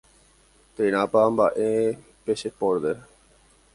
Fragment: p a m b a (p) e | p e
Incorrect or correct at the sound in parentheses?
incorrect: ʔ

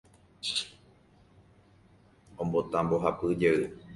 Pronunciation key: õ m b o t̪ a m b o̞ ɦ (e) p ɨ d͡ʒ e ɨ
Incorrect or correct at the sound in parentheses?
incorrect: a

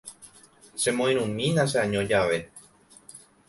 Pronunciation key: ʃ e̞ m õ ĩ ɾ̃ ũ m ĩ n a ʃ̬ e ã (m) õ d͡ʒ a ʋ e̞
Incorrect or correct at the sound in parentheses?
incorrect: ɲ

